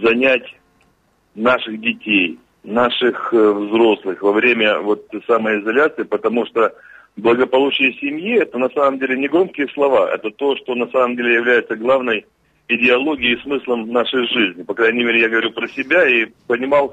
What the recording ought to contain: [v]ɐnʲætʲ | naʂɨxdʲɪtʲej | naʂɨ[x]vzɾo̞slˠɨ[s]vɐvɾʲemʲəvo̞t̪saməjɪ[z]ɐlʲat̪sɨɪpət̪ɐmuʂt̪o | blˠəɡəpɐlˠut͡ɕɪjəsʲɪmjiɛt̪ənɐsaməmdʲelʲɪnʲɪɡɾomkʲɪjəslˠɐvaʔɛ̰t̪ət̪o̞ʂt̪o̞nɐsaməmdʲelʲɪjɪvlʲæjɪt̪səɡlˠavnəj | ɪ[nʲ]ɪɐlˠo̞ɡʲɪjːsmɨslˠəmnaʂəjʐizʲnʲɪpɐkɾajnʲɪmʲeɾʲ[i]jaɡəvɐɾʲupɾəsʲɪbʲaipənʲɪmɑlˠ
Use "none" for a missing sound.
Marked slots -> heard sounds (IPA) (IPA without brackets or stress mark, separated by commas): z, x, x, z, dʲ, ɪ